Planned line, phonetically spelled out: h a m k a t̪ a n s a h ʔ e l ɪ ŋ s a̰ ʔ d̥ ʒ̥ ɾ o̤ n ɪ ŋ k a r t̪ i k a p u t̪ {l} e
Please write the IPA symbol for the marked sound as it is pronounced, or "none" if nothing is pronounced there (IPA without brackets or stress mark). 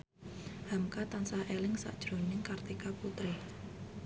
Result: ɾ